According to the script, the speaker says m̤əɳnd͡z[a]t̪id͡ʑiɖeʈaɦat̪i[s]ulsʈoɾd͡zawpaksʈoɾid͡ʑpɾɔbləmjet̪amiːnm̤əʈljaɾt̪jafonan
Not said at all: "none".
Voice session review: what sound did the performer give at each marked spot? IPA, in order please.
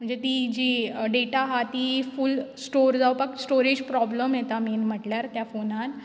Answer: e, f

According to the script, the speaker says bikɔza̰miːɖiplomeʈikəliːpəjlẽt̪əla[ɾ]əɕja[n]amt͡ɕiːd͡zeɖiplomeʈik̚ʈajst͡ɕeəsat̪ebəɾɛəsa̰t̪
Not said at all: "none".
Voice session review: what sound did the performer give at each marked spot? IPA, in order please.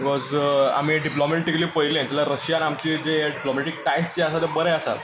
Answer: ɾ, n

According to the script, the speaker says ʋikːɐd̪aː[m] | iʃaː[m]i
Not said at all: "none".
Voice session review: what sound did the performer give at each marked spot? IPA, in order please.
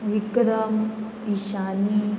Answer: m, n

